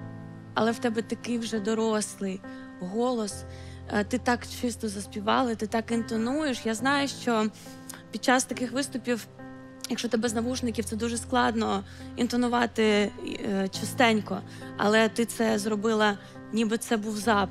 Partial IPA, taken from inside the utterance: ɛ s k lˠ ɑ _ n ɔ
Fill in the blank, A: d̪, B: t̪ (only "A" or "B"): A